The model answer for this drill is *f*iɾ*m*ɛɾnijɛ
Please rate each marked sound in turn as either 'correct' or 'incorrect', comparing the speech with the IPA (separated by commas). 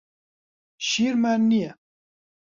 incorrect, correct